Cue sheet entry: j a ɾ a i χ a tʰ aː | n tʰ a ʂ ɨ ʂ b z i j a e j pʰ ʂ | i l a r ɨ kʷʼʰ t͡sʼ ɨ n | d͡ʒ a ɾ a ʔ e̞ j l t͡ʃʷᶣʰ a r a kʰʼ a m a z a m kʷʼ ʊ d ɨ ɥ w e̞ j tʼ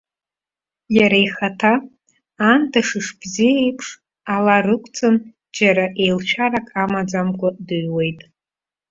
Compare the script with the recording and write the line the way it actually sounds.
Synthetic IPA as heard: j a ɾ a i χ a tʰ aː | n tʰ a ʂ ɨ ʂ b z i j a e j pʰ ʂ | a l a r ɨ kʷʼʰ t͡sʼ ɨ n | d͡ʒ a ɾ a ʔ e̞ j l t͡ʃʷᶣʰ a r a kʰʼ a m a d͡z a m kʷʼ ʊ d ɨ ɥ w e̞ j tʼ